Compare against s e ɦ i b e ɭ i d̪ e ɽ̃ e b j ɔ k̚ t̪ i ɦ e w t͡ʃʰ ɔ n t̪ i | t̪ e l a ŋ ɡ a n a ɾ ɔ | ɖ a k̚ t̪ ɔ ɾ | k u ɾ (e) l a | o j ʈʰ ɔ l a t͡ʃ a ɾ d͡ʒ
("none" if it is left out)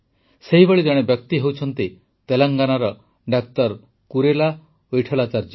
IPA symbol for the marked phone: e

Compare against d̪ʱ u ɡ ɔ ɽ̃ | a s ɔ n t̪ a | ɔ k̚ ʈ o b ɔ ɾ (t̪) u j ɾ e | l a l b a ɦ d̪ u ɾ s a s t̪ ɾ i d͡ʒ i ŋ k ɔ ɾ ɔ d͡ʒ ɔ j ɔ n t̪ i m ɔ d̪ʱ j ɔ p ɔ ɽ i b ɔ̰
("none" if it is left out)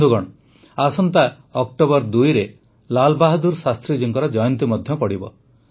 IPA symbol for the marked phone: d̪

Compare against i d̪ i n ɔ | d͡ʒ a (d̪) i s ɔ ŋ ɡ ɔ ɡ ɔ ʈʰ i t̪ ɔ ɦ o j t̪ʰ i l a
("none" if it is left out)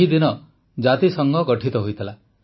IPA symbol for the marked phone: t̪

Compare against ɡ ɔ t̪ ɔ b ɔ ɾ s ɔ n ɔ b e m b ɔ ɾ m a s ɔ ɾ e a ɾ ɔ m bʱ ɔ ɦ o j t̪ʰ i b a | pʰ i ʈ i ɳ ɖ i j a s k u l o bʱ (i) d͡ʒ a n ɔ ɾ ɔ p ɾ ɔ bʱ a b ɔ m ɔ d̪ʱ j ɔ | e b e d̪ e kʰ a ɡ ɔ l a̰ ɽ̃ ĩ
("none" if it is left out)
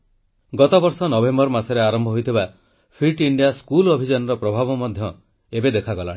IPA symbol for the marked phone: i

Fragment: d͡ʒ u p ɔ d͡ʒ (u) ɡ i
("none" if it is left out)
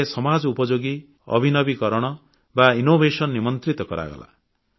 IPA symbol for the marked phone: o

